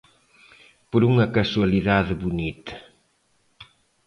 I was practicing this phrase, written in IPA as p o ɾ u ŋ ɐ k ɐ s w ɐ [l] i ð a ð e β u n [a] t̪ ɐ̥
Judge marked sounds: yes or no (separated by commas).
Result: yes, no